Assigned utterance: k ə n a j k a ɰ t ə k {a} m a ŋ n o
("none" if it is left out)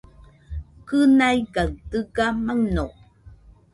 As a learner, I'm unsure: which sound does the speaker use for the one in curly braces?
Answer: a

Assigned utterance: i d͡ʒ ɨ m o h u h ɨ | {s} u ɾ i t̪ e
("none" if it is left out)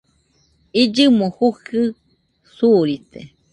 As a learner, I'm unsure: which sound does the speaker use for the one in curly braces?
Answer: s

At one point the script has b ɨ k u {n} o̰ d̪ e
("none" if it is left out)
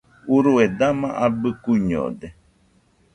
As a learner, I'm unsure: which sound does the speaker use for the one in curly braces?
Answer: ɲ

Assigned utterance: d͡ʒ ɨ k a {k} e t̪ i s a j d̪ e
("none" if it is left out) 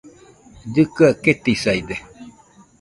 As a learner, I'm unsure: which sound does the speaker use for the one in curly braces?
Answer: k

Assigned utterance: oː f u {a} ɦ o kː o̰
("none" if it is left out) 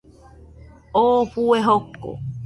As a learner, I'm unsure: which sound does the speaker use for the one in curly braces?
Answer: e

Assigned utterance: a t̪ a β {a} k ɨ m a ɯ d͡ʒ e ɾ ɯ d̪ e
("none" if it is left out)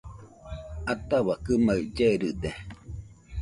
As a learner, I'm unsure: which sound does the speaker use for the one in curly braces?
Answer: a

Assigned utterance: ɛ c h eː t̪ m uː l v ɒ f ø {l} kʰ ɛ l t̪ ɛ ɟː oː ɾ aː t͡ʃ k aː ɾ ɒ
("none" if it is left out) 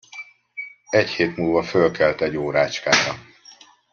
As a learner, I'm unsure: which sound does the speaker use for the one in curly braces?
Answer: l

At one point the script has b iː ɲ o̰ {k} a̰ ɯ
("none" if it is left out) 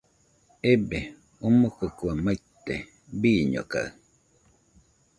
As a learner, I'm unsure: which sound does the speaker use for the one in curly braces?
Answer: k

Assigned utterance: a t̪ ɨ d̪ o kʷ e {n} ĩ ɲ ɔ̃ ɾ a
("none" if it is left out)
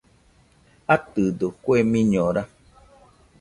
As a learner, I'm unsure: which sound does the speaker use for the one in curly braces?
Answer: m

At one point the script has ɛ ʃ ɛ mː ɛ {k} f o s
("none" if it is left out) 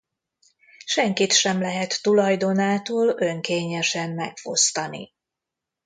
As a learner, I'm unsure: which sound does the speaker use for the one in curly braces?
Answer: k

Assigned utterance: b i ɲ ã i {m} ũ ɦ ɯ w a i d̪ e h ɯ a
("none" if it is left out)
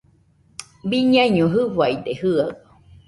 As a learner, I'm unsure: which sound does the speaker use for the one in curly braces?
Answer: ɲ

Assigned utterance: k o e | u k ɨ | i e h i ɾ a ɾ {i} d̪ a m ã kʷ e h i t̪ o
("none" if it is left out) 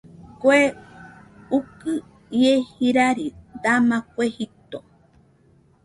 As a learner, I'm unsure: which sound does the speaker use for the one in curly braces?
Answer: i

